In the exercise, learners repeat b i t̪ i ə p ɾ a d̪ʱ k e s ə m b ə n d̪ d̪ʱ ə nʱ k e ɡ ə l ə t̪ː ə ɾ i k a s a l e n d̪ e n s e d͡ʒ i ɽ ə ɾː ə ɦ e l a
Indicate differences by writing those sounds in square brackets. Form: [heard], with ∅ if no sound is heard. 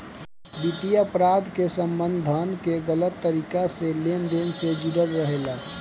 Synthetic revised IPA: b i t̪ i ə p ɾ a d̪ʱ k e s ə m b ə n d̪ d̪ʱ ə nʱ k e ɡ ə l ə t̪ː ə ɾ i k a s [e] l e n d̪ e n s e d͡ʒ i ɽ ə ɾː ə ɦ e l a